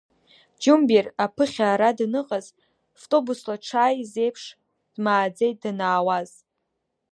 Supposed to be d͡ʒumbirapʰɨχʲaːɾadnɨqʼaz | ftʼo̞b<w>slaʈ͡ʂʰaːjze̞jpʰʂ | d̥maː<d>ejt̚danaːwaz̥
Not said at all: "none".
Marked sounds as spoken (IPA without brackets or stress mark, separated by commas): u, d͡z